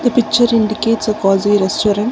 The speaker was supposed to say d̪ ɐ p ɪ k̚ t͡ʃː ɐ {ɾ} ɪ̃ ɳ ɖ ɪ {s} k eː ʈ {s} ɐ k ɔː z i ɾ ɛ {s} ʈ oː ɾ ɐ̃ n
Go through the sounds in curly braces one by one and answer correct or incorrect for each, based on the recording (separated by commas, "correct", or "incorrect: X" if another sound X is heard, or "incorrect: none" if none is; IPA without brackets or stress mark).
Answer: correct, incorrect: none, correct, correct